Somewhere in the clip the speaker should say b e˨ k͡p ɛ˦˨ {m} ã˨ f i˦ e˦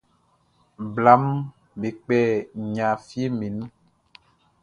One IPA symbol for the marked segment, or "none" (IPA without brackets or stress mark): ɲ